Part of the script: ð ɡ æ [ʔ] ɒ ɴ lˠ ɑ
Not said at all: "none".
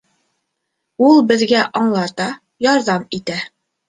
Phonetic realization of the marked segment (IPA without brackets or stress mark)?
ʔ